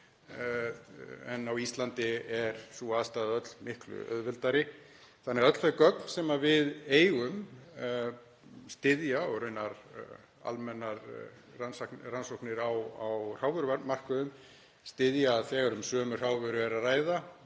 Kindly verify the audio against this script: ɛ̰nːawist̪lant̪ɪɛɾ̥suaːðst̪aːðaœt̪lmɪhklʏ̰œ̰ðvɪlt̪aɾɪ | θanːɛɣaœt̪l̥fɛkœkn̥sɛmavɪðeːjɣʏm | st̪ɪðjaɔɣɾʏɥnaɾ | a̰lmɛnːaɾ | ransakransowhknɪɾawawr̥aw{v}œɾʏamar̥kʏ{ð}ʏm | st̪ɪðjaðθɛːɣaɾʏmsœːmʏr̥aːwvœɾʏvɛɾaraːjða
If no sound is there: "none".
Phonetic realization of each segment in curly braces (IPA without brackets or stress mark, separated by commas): v, ð